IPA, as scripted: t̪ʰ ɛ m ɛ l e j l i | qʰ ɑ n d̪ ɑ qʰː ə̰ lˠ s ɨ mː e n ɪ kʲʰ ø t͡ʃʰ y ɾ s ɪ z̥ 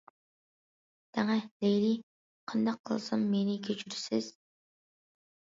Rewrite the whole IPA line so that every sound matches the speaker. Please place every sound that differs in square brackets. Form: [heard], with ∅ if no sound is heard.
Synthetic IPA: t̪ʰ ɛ [ŋ] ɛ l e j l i | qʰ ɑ n d̪ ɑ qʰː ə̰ lˠ s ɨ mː e n ɪ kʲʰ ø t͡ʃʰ y ɾ s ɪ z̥